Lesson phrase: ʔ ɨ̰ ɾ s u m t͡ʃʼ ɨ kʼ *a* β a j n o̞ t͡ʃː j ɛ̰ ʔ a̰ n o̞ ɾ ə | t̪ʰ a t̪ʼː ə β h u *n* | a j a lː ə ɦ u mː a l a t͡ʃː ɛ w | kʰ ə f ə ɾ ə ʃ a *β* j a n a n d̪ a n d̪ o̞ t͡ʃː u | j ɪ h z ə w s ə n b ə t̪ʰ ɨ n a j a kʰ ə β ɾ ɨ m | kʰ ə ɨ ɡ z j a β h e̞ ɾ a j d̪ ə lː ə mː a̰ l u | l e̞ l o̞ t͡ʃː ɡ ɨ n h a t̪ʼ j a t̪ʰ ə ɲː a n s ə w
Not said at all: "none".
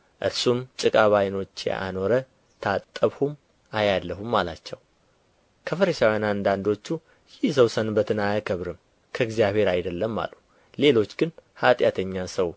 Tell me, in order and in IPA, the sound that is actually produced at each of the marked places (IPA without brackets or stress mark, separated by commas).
a, m, w